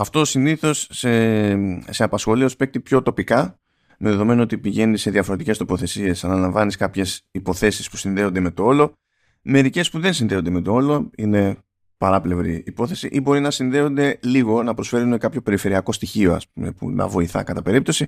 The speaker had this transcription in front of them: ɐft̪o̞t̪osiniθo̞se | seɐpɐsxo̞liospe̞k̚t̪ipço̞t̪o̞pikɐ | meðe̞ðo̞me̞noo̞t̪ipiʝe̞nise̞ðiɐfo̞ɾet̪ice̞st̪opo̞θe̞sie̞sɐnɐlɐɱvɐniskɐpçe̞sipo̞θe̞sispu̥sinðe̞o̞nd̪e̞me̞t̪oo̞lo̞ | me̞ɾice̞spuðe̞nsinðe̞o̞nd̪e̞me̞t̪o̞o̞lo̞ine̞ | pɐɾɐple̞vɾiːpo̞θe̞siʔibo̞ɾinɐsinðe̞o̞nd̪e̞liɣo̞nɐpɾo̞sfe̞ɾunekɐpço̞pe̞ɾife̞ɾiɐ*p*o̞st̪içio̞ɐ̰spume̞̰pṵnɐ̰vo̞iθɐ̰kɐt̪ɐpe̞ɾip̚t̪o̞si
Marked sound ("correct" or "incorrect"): incorrect